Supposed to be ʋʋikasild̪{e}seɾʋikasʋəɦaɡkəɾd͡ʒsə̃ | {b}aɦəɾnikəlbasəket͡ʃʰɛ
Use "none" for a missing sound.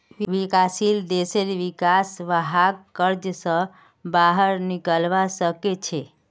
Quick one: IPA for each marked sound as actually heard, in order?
e, b

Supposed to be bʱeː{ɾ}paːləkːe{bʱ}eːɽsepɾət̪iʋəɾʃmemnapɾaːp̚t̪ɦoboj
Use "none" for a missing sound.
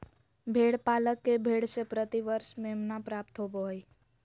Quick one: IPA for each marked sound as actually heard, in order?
ɽ, bʱ

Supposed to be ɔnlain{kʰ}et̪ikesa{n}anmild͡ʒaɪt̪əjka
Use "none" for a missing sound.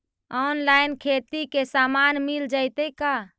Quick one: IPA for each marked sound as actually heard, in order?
kʰ, m

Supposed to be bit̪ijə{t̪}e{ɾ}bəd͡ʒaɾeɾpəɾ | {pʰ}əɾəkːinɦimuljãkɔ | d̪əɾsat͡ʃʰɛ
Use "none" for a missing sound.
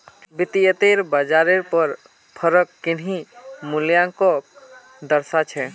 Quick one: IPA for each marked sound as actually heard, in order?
t̪, ɾ, pʰ

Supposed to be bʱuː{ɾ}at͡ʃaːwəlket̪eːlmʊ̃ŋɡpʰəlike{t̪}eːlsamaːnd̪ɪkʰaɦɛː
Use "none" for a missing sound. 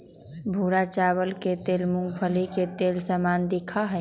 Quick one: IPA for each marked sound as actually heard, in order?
ɾ, t̪

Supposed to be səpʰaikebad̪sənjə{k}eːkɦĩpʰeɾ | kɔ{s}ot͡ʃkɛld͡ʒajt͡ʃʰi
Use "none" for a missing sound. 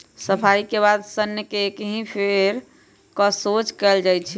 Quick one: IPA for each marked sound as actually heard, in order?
k, s

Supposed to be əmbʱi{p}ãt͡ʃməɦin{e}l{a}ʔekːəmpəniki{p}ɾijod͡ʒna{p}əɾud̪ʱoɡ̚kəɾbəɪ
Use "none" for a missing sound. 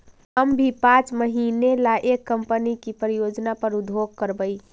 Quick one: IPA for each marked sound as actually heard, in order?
p, e, a, p, p

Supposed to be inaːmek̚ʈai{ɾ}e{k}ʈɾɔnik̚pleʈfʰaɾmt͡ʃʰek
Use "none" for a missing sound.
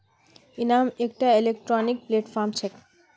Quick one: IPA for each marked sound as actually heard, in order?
l, k

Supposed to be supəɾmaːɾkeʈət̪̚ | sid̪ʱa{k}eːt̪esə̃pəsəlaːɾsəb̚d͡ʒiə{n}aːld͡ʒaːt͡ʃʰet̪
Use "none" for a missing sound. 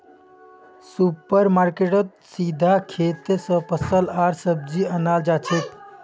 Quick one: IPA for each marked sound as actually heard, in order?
kʰ, n

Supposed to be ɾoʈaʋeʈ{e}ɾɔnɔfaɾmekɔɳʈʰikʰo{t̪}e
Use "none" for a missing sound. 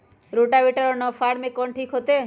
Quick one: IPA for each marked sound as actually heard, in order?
a, t̪

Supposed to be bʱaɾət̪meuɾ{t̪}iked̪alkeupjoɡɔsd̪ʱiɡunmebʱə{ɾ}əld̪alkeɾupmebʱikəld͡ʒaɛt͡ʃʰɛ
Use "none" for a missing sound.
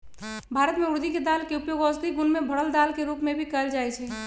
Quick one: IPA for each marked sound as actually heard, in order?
d̪, ɽ

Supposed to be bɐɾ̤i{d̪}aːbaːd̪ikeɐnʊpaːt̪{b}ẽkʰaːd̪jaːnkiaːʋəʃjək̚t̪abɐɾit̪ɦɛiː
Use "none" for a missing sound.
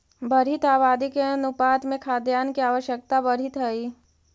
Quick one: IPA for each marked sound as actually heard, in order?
t̪, m

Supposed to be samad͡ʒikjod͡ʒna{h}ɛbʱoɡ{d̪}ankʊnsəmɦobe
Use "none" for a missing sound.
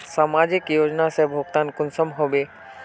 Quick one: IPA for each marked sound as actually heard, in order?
s, t̪

